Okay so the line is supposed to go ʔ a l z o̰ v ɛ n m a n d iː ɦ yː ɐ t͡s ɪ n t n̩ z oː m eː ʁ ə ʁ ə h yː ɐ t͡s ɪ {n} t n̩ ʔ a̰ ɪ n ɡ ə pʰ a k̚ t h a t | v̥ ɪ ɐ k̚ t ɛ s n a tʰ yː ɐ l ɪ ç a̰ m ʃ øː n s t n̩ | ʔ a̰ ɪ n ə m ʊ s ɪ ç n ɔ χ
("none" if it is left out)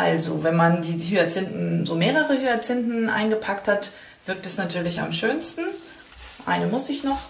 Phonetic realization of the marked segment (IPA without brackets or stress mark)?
n